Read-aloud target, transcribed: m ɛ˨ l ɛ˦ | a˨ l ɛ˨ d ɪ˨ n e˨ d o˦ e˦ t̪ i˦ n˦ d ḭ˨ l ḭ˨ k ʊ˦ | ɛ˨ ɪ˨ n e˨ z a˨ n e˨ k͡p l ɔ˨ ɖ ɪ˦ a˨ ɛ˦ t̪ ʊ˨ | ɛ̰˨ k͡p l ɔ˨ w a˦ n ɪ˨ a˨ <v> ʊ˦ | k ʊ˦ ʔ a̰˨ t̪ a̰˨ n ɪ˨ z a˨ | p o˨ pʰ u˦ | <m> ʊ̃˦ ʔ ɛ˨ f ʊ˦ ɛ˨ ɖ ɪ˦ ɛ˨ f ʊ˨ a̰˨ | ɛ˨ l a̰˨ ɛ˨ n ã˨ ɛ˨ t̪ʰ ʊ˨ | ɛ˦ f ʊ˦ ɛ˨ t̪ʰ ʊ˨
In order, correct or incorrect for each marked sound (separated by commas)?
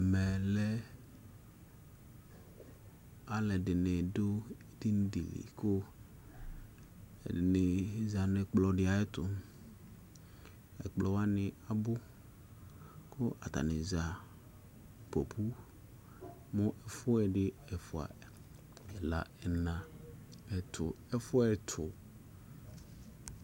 incorrect, correct